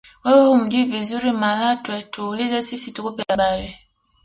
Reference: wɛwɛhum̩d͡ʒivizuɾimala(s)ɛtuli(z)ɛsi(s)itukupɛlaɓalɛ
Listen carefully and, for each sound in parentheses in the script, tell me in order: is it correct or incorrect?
incorrect, correct, correct

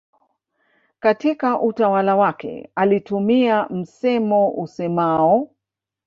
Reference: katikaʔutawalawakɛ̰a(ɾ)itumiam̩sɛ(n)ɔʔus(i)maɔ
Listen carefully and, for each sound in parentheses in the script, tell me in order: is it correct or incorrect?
incorrect, incorrect, incorrect

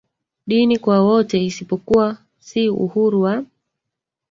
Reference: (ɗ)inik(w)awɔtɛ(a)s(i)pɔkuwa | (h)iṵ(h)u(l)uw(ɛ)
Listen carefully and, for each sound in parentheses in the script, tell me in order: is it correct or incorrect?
correct, correct, incorrect, correct, incorrect, correct, incorrect, incorrect

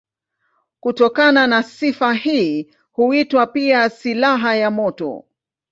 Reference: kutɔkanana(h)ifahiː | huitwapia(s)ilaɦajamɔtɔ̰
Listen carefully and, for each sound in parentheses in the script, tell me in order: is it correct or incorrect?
incorrect, correct

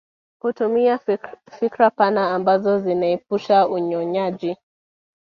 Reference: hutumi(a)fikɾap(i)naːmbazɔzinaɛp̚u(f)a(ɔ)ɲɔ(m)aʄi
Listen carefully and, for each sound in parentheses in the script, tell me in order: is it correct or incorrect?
correct, incorrect, incorrect, incorrect, incorrect

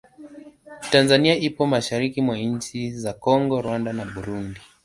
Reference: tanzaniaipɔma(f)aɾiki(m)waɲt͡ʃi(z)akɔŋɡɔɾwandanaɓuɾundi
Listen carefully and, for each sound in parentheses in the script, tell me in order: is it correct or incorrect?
incorrect, correct, correct

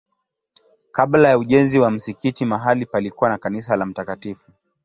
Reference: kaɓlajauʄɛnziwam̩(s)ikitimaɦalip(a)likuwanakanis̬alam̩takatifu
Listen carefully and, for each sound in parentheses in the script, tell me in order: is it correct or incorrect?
correct, correct

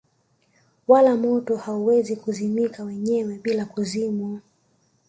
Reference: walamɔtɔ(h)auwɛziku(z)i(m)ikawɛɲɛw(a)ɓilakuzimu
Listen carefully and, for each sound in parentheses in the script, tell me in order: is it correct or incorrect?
correct, correct, correct, incorrect

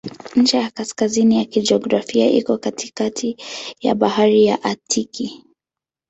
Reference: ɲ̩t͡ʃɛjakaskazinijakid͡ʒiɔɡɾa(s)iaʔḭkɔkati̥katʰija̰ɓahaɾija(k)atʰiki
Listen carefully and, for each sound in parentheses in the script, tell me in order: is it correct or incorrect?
incorrect, incorrect

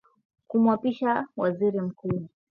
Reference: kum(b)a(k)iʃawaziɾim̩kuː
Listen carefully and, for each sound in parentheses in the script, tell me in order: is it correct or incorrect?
incorrect, incorrect

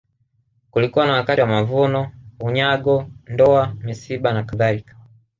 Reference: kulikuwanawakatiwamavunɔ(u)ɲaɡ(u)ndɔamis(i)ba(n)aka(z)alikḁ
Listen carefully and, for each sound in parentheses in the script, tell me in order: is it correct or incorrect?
correct, incorrect, correct, correct, incorrect

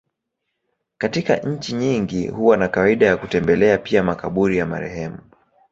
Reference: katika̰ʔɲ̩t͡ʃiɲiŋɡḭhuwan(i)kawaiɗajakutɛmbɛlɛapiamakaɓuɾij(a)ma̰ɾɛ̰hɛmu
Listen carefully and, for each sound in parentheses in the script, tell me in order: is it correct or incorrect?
incorrect, correct

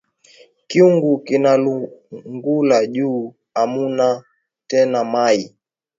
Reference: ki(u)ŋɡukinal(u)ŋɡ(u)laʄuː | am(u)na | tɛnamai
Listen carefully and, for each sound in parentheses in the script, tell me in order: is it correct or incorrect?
correct, correct, correct, correct

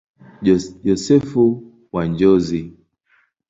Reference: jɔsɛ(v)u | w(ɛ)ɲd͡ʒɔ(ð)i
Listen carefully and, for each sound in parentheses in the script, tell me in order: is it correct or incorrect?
incorrect, incorrect, incorrect

